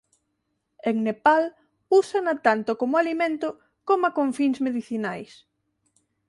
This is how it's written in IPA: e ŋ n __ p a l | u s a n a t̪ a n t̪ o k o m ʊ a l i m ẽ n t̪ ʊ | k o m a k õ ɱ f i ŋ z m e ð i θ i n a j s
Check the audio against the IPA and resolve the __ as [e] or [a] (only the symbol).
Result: e